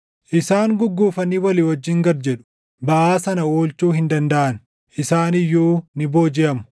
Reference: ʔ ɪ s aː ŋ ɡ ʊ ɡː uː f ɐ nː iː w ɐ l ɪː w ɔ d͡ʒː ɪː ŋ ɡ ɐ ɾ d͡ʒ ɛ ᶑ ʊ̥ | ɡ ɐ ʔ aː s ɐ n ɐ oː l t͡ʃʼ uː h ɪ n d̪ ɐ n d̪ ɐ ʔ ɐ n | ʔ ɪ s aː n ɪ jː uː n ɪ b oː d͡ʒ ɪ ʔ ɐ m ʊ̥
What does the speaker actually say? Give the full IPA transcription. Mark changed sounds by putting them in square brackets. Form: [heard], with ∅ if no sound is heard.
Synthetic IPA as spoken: ʔ ɪ s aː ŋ ɡ ʊ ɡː uː f ɐ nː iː w ɐ l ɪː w ɔ d͡ʒː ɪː ŋ ɡ ɐ ɾ d͡ʒ ɛ ᶑ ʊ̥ | [b] ɐ ʔ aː s ɐ n ɐ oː l [t͡ʃ] uː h ɪ n d̪ ɐ n d̪ ɐ ʔ ɐ n | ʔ ɪ s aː n ɪ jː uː n ɪ b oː d͡ʒ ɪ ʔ ɐ m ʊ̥